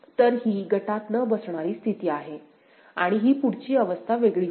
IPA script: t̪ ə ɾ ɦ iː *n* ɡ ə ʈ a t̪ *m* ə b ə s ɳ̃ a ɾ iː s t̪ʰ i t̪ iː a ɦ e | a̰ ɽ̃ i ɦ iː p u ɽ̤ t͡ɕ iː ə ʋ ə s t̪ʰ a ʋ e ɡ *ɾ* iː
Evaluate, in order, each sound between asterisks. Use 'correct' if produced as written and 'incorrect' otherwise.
incorrect: none, incorrect: n, incorrect: ɭ

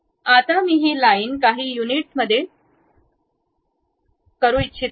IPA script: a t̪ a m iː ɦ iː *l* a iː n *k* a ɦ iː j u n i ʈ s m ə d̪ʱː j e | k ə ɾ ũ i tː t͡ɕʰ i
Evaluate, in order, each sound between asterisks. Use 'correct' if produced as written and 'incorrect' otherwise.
correct, correct

